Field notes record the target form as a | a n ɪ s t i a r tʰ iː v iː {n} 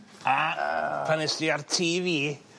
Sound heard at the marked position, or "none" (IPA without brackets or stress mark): none